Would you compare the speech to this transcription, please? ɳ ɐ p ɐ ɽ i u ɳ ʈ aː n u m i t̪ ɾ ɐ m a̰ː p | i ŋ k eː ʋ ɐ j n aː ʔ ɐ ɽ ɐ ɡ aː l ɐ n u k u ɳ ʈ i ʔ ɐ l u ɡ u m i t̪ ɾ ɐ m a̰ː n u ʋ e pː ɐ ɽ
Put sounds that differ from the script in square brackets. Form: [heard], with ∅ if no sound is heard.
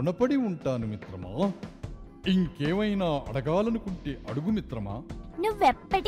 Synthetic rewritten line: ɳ ɐ p ɐ ɽ i u ɳ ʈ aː n u m i t̪ ɾ ɐ m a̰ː [∅] | i ŋ k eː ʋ ɐ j n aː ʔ ɐ ɽ ɐ ɡ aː l ɐ n u k u ɳ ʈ i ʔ ɐ [ɽ] u ɡ u m i t̪ ɾ ɐ m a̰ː n u ʋ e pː ɐ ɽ